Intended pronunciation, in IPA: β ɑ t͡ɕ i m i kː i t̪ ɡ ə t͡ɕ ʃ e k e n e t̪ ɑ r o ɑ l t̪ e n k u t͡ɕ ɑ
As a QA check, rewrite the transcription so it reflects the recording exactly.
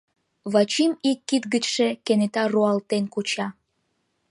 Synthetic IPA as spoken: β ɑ t͡ɕ i m i kː i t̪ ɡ ə t͡ɕ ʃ e k e n e t̪ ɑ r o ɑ l t̪ e n k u t͡ɕ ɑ